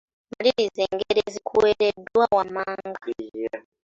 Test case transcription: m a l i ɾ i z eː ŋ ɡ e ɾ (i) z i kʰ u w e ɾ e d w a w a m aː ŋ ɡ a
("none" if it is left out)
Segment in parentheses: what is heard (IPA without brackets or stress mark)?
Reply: e